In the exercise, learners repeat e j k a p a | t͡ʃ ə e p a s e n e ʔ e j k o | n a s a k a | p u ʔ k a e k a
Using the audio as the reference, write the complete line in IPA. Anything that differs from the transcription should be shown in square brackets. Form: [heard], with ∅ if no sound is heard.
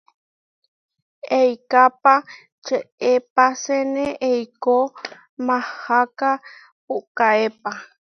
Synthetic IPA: e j k a p a | t͡ʃ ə e p a s e n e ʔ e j k o | [m] a [h] a k a | p u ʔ k a e [p] a